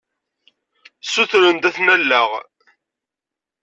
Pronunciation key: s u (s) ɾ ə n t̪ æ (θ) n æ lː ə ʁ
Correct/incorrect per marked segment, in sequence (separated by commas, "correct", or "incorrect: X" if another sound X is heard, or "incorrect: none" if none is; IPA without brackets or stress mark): incorrect: θ, correct